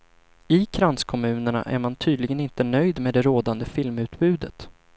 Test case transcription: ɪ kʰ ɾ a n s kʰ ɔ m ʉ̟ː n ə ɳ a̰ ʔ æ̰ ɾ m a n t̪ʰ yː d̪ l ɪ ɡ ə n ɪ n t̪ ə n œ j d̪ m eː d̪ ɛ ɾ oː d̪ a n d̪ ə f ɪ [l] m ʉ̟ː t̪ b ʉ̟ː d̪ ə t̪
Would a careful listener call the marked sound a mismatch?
no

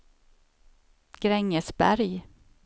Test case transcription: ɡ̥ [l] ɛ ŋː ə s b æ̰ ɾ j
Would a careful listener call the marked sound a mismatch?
yes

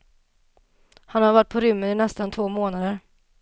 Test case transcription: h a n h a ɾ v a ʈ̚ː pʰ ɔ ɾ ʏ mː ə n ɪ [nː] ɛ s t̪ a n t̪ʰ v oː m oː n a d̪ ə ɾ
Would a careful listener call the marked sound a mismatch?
yes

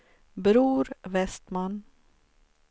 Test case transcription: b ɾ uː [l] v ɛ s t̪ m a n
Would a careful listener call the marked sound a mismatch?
yes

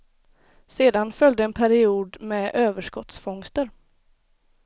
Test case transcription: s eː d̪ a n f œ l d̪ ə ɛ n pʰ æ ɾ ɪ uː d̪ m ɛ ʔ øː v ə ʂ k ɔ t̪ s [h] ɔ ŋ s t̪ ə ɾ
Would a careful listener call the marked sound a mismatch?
yes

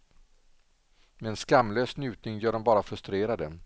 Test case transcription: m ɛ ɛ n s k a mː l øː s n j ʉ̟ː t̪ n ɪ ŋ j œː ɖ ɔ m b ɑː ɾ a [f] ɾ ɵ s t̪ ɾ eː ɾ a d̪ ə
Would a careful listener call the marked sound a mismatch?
no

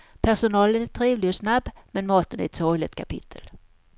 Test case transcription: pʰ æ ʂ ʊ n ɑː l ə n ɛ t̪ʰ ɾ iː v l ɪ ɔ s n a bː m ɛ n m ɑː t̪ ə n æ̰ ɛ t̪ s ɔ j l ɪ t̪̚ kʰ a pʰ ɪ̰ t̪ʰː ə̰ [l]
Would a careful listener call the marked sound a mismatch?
no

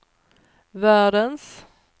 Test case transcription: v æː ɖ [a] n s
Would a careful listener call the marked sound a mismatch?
yes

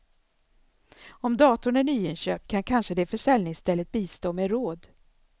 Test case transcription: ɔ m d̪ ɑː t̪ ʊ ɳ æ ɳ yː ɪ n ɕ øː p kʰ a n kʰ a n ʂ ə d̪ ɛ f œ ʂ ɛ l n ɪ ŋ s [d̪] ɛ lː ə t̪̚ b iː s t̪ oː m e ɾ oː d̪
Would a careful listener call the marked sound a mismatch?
yes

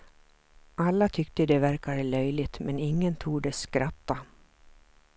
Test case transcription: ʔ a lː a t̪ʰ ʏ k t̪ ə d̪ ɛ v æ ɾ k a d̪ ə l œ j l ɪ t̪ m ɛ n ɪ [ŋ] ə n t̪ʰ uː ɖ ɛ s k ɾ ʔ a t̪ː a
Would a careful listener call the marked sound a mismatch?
yes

